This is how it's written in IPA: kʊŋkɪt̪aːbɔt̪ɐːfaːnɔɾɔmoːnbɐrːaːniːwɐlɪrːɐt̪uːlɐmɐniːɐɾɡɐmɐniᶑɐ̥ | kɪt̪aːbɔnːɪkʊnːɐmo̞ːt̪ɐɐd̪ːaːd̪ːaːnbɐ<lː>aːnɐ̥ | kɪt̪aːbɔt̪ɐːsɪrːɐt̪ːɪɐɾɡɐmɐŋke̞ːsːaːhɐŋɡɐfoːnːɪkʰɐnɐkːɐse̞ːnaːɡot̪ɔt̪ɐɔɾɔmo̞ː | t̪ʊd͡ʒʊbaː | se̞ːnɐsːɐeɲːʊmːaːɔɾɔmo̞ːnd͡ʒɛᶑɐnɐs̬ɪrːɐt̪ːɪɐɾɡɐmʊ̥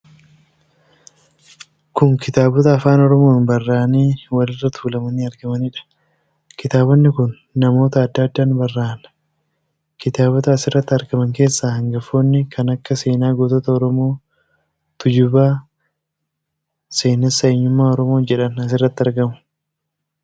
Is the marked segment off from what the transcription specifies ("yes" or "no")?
yes